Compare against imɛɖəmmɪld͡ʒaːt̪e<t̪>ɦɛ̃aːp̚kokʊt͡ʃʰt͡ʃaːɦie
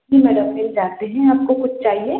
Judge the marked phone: incorrect: none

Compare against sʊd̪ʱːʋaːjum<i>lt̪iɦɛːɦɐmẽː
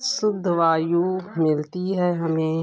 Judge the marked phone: incorrect: ɪ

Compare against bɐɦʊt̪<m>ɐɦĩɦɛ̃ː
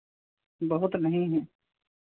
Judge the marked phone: incorrect: n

